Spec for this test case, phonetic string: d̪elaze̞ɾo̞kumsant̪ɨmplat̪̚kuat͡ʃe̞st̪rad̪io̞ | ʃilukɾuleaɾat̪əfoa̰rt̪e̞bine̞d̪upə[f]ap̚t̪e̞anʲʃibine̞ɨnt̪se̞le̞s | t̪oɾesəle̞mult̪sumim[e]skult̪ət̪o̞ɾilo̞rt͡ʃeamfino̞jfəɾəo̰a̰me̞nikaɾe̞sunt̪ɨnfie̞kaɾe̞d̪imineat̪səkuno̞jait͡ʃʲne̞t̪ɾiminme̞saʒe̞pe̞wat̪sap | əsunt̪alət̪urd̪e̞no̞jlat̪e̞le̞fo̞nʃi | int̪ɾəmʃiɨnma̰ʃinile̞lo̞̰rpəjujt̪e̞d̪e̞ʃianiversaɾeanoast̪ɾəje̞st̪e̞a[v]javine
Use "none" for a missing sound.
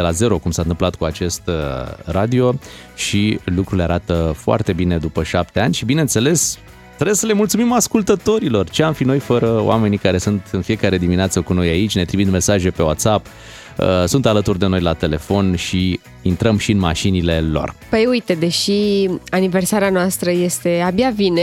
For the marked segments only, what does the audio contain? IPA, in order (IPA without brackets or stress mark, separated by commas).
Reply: ʃ, a, b